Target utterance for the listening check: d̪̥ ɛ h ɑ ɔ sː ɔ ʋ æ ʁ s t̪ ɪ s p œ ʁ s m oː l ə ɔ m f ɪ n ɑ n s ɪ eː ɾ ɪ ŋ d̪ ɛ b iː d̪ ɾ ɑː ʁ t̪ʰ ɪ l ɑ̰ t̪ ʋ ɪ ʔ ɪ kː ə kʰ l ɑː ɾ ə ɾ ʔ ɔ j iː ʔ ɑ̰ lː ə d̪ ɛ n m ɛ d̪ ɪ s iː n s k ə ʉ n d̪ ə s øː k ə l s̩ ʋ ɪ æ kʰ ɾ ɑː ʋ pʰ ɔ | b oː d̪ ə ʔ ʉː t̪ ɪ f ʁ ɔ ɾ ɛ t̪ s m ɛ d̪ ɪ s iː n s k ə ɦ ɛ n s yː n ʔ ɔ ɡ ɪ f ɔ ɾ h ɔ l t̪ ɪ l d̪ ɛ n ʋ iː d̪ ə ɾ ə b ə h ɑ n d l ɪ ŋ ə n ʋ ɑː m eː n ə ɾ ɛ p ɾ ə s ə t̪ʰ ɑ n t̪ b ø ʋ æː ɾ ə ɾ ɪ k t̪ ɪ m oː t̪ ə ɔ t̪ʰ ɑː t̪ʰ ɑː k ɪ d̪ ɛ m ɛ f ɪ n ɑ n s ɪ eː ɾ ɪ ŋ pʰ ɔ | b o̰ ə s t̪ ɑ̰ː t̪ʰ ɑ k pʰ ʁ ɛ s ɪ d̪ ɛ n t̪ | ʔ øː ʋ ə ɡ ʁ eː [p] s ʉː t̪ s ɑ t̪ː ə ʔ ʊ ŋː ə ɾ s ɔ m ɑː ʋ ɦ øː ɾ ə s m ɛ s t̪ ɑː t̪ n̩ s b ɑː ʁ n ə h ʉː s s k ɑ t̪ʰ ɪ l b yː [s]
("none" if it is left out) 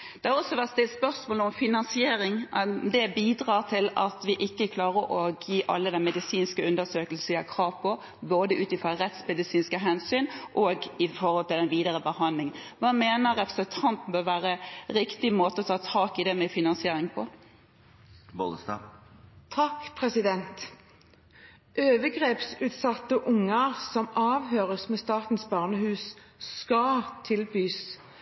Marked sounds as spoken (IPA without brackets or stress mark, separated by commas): p, s